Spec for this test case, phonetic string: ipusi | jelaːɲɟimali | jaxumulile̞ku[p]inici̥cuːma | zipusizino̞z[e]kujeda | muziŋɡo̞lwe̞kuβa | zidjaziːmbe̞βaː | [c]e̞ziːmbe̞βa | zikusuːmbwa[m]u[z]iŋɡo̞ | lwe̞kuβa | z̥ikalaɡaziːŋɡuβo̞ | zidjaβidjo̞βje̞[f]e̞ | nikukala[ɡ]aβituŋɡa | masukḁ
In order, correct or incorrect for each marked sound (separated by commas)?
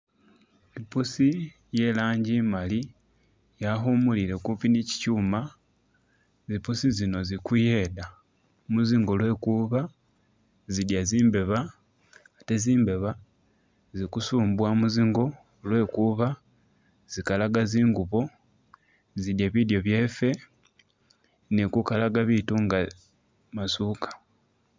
correct, incorrect, incorrect, correct, correct, correct, correct